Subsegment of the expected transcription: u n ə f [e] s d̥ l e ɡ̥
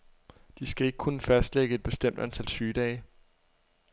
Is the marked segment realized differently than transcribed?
yes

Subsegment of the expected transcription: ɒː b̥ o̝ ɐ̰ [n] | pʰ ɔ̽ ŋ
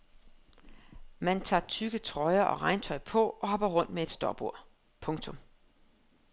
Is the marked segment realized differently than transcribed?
yes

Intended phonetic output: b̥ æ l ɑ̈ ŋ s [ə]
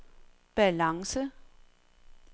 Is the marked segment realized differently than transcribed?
no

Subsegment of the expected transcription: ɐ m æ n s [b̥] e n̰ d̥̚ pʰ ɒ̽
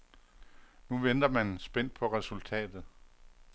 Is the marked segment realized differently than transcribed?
no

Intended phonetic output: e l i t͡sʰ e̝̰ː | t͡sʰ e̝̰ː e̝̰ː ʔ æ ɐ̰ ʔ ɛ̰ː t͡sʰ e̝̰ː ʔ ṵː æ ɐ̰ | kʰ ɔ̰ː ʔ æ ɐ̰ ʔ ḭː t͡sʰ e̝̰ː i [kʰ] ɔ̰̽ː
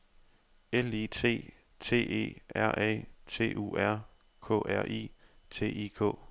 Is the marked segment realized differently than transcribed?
no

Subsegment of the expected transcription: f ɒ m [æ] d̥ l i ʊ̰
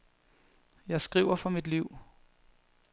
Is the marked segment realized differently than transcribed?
yes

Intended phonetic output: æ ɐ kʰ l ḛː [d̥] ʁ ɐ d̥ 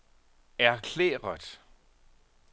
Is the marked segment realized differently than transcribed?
yes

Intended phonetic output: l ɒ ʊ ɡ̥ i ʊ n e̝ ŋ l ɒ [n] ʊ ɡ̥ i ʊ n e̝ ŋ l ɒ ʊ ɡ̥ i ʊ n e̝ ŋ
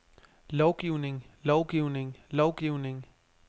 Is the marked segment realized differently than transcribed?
yes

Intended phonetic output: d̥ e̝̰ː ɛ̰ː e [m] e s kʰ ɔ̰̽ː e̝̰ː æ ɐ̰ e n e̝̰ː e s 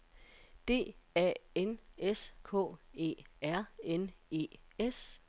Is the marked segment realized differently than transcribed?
yes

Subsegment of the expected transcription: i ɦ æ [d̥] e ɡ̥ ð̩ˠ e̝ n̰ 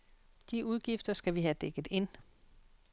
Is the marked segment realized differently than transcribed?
no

